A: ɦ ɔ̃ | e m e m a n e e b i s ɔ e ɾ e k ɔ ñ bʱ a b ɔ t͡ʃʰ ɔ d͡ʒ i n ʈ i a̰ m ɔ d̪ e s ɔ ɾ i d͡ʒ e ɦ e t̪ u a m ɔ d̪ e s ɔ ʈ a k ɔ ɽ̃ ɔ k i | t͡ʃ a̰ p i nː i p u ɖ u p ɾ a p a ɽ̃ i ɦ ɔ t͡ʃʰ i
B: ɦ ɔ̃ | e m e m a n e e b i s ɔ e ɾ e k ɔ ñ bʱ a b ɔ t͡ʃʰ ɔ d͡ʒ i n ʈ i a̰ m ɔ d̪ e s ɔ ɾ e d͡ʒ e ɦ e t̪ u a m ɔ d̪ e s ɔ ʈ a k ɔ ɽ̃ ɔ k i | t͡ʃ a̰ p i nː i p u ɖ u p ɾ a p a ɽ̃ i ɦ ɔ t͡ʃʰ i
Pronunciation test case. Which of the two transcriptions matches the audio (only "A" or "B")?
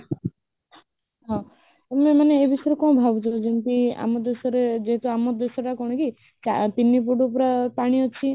B